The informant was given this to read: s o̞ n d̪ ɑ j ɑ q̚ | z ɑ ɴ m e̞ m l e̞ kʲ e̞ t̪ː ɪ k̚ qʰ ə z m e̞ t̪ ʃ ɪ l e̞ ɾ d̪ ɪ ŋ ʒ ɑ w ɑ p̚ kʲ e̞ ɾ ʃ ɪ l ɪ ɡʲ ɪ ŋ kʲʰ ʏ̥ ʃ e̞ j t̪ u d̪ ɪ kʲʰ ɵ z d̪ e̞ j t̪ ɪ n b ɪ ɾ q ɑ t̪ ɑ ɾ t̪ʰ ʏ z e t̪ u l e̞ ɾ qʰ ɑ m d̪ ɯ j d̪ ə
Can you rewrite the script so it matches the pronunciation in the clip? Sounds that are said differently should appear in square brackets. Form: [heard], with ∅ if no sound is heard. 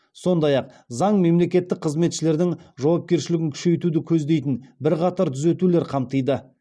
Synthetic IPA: s o̞ n d̪ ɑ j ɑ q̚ | z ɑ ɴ m e̞ m l e̞ kʲ e̞ t̪ː ɪ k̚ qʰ ə z m e̞ t̪ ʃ ɪ l e̞ ɾ d̪ ɪ ŋ ʒ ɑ w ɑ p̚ kʲ e̞ ɾ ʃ ɪ l ɪ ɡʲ ɪ ŋ kʲʰ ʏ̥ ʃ e̞ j t̪ u d̪ ɪ kʲʰ ɵ z d̪ e̞ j t̪ ɪ n b ɪ ɾ q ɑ t̪ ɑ ɾ t̪ʰ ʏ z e t̪ u l e̞ ɾ qʰ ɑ m [t̪] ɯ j d̪ ə

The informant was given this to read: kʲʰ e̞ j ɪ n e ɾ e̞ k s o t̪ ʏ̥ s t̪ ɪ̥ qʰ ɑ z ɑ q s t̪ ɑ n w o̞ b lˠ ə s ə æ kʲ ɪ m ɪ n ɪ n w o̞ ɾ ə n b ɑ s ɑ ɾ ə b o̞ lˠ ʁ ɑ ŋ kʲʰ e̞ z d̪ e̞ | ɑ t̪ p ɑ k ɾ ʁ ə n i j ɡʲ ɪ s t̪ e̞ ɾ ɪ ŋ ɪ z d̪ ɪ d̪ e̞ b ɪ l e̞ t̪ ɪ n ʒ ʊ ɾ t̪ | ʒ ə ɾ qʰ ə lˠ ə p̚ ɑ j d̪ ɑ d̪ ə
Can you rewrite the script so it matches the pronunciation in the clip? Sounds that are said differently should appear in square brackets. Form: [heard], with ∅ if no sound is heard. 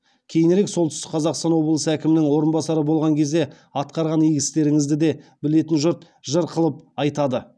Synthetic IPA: kʲʰ e̞ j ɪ n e ɾ e̞ k s o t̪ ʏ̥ s t̪ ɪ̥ qʰ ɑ z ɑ q s t̪ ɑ n w o̞ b lˠ ə s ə æ kʲ ɪ m ɪ n ɪ [ŋ] w o̞ ɾ ə n b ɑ s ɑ ɾ ə b o̞ lˠ ʁ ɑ ŋ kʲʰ e̞ z d̪ e̞ | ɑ t̪ [q] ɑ [∅] ɾ ʁ [ɑ] n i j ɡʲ ɪ s t̪ e̞ ɾ ɪ ŋ ɪ z d̪ ɪ d̪ e̞ b ɪ l e̞ t̪ ɪ n ʒ ʊ ɾ t̪ | ʒ ə ɾ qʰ ə lˠ ə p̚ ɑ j [t̪] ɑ d̪ ə

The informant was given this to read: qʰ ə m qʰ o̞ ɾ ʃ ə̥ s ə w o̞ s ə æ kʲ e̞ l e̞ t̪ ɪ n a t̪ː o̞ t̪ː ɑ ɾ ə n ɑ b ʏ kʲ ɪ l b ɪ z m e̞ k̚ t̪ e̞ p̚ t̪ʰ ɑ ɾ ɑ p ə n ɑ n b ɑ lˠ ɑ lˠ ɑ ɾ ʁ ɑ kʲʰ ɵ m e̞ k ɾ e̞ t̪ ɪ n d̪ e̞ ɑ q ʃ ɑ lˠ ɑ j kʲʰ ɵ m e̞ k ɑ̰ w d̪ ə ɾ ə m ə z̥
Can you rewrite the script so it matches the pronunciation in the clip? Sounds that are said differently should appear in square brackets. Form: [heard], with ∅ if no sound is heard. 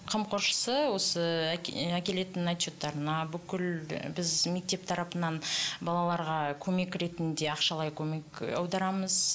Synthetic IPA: qʰ ə m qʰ o̞ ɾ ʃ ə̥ s ə w o̞ s ə æ kʲ e̞ l e̞ t̪ ɪ n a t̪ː o̞ t̪ː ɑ ɾ ə n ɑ b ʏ kʲ ɪ l b ɪ z m e̞ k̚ t̪ e̞ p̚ t̪ʰ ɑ ɾ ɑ p ə n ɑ n b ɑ lˠ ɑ lˠ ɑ ɾ ʁ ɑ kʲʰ ɵ m e̞ k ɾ e̞ t̪ ɪ n d̪ e̞ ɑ q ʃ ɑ lˠ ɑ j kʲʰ ɵ m e̞ k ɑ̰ w d̪ [ɑ] ɾ [ɑ] m ə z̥

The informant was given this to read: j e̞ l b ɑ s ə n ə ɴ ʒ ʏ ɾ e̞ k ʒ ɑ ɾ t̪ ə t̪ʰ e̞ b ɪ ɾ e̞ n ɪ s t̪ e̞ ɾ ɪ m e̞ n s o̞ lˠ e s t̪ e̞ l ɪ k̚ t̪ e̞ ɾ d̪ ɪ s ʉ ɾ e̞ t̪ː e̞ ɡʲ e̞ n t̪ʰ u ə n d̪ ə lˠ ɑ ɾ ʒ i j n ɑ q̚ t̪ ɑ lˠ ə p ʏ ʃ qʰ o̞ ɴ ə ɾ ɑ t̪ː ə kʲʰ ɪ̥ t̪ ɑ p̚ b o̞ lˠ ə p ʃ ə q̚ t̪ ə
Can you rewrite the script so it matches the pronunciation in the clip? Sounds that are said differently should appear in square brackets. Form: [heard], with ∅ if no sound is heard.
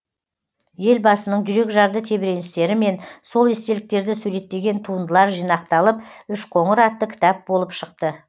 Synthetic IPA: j e̞ l b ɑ s ə n ə ɴ ʒ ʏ ɾ e̞ k ʒ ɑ ɾ [d̪] ə t̪ʰ e̞ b ɪ ɾ e̞ n ɪ s t̪ e̞ ɾ ɪ m e̞ n s o̞ lˠ e s t̪ e̞ l ɪ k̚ t̪ e̞ ɾ d̪ ɪ s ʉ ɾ e̞ t̪ː e̞ ɡʲ e̞ n t̪ʰ u ə n d̪ ə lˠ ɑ ɾ ʒ i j n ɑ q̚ t̪ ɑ lˠ ə p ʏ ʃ qʰ o̞ ɴ ə ɾ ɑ t̪ː ə kʲʰ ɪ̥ t̪ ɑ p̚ b o̞ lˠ ə p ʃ ə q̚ t̪ ə

